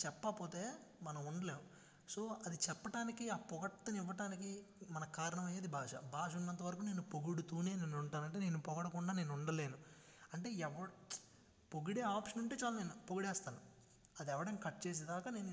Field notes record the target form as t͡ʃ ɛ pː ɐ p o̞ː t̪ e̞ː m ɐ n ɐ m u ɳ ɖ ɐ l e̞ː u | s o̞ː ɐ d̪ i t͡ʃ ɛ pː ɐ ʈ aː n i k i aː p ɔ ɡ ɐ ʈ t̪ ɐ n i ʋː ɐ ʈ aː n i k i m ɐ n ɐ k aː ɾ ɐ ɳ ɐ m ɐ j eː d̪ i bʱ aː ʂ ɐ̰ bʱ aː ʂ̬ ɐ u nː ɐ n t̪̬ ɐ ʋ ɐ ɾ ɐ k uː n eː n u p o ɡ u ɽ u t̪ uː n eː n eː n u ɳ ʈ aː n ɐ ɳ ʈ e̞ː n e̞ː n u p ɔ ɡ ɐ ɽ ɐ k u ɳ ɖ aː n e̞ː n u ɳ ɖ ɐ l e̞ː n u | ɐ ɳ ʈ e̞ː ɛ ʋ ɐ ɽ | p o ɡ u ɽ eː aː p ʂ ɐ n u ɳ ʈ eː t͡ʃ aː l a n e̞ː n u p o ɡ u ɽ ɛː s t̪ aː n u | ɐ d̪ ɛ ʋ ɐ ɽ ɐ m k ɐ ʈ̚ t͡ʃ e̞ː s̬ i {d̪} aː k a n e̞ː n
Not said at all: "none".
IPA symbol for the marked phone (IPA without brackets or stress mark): d̪